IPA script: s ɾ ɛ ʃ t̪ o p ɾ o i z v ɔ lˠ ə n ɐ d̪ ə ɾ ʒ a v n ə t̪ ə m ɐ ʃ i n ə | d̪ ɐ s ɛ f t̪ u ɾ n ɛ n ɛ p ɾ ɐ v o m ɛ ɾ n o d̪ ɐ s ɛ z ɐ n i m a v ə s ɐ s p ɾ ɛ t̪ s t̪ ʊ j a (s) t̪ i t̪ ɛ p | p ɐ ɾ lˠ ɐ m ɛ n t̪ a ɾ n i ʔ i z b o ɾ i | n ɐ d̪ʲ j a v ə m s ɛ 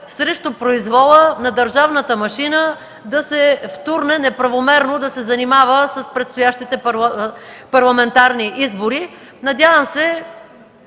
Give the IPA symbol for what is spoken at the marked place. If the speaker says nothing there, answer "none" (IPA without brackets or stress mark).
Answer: ʃ